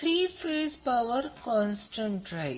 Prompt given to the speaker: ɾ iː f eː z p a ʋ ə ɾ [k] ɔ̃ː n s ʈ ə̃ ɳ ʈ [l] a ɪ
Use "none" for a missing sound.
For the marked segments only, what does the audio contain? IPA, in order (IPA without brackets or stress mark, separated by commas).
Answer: k, ɾ